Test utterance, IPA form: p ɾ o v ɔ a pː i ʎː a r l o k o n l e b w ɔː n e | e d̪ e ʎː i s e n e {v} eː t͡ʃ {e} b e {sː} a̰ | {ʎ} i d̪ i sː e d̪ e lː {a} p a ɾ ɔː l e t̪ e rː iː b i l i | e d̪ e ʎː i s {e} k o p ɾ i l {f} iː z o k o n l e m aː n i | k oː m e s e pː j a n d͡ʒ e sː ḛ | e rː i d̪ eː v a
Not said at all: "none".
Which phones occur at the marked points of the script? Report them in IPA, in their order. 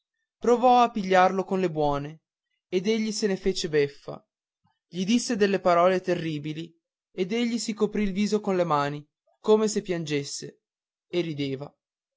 f, e, fː, ʎ, e, i, v

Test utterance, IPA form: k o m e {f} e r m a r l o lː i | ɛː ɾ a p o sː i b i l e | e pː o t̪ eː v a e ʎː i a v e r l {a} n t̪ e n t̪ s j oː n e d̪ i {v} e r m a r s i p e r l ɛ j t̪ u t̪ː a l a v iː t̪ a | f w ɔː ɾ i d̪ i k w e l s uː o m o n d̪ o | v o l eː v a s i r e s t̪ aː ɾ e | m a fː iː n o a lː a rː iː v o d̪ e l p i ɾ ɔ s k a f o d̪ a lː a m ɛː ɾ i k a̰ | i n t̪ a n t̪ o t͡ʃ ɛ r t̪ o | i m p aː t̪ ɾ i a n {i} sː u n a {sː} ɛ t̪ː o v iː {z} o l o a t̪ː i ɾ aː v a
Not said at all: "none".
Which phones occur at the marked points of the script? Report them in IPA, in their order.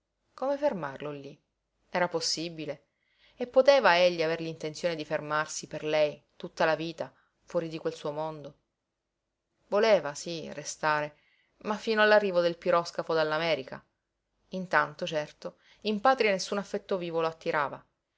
f, i, f, e, fː, v

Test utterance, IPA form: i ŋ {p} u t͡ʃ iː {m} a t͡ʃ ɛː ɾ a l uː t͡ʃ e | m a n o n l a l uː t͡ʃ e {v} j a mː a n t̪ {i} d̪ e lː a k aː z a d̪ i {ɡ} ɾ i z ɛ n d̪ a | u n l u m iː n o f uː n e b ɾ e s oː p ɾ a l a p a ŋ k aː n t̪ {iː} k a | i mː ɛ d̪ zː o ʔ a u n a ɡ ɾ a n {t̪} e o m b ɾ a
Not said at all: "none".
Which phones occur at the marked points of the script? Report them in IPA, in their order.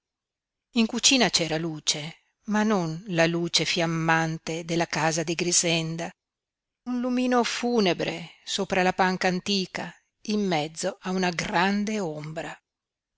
k, n, f, e, ɡ, iː, d̪

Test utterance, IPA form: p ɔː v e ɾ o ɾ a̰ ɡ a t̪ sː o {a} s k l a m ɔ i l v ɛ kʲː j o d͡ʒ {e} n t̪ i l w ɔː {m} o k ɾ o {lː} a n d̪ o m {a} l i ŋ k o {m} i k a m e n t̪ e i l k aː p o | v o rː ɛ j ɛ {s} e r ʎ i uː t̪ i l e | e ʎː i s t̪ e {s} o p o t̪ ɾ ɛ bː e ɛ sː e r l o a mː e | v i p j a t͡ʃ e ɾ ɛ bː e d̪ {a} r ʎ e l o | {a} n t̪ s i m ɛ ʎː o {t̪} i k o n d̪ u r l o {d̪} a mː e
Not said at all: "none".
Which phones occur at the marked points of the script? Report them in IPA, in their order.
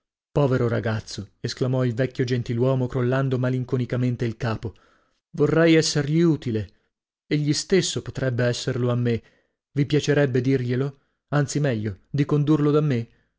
e, e, m, lː, a, n, sː, sː, i, a, d̪, d̪

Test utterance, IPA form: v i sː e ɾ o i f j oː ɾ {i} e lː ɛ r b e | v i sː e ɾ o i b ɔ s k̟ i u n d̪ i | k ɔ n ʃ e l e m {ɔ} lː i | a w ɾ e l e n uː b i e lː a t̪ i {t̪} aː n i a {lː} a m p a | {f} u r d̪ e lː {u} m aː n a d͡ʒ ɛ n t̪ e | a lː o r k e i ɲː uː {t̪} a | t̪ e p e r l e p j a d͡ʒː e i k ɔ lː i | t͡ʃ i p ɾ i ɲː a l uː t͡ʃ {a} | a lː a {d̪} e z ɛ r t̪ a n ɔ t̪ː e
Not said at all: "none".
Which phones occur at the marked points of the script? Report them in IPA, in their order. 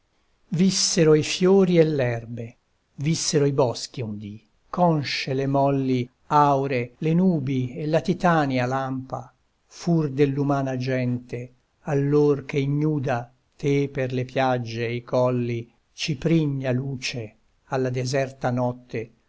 i, ɔ, t̪, l, f, u, d̪, e, d̪

